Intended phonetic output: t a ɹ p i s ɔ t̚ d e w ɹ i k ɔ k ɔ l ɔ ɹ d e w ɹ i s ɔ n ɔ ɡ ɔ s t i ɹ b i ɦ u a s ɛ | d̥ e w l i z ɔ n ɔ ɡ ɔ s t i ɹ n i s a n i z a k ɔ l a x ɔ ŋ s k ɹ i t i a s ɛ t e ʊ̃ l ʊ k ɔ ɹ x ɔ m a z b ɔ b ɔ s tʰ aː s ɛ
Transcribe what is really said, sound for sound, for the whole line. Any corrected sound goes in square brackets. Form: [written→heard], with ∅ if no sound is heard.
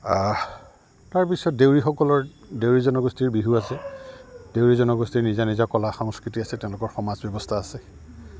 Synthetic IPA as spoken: t a ɹ p i s ɔ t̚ d e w ɹ i [k→x] ɔ k ɔ l ɔ ɹ d e w ɹ i [s→z] ɔ n ɔ ɡ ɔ s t i ɹ b i ɦ u a s ɛ | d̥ e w [l→ɹ] i z ɔ n ɔ ɡ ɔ s t i ɹ n i [s→z] a n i z a k ɔ l a x ɔ ŋ s k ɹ i t i a s ɛ t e ʊ̃ l ʊ k ɔ ɹ x ɔ m a z b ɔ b ɔ s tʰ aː s ɛ